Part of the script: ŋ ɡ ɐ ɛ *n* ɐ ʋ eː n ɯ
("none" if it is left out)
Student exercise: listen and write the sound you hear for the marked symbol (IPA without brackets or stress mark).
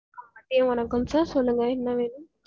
nː